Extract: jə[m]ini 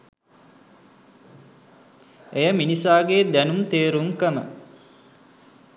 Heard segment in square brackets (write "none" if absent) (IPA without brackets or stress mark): m